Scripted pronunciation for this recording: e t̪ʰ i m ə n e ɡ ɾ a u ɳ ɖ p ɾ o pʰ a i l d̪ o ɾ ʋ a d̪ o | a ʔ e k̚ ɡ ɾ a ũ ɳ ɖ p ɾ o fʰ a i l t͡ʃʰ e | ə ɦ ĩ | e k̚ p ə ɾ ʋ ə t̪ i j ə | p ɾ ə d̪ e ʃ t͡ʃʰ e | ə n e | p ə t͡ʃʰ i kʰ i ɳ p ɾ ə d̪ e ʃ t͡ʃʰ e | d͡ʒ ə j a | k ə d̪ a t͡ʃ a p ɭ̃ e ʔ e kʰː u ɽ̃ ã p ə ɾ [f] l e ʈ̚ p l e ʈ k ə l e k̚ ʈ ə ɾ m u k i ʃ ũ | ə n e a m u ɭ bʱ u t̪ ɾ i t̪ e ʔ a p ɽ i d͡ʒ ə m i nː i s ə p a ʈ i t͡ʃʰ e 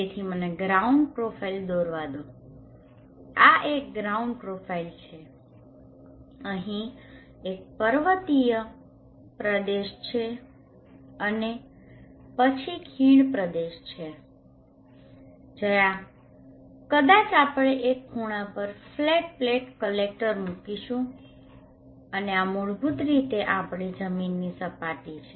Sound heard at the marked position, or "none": f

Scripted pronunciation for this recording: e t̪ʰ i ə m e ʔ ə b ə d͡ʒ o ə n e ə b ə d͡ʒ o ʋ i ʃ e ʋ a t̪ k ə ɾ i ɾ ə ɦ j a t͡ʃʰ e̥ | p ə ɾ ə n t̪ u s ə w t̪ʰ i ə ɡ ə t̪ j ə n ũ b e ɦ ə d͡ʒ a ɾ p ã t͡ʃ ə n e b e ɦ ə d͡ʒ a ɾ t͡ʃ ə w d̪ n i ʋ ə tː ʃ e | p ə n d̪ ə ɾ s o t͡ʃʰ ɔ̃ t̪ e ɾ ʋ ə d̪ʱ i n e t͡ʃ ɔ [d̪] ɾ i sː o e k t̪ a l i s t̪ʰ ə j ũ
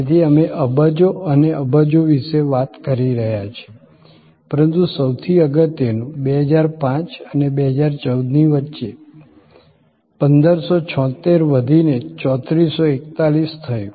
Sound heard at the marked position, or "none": t̪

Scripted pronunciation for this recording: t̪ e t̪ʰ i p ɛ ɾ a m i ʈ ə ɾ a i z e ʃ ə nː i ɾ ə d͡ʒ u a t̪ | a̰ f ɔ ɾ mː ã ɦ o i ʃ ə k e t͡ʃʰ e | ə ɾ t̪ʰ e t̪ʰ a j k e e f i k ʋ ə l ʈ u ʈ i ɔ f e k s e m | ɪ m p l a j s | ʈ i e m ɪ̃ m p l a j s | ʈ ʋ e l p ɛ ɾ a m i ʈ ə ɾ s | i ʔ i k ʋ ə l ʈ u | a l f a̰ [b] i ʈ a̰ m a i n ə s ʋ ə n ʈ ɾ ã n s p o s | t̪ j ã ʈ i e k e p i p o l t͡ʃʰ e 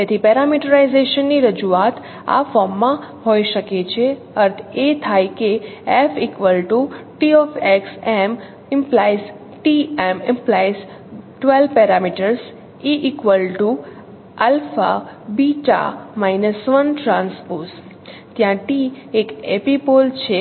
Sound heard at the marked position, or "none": b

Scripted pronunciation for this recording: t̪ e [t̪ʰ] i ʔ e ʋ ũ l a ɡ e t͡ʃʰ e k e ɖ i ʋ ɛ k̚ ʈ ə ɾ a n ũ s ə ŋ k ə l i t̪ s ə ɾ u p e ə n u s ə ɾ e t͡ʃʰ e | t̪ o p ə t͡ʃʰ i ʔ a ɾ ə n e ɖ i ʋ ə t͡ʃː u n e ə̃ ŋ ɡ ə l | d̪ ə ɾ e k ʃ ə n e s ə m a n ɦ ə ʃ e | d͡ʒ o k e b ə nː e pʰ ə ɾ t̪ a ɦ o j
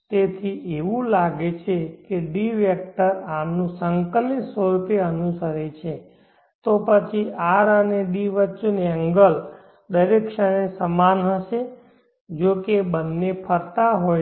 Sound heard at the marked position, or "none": t̪ʰ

